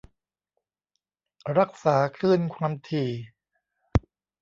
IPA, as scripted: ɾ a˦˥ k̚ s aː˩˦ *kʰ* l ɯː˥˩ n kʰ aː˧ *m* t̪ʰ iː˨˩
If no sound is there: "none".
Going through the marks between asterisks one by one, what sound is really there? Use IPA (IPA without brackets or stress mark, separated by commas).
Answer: kʰ, m